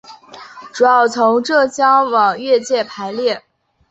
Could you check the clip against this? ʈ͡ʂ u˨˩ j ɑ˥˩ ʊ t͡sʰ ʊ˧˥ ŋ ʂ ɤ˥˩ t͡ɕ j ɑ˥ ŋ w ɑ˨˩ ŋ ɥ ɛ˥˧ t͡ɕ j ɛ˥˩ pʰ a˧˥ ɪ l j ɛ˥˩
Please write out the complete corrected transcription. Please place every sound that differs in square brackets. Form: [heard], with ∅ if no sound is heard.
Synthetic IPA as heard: ʈ͡ʂ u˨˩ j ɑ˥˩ ʊ t͡sʰ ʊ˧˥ ŋ [ʈ͡ʂ] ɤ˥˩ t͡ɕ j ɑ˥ ŋ w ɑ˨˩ ŋ ɥ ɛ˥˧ t͡ɕ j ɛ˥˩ pʰ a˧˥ ɪ l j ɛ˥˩